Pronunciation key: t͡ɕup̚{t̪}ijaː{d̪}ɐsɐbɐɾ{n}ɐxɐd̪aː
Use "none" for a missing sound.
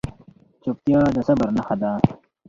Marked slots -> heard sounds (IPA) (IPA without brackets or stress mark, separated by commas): t̪, d̪, n